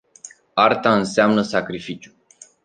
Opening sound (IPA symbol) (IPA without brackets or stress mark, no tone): a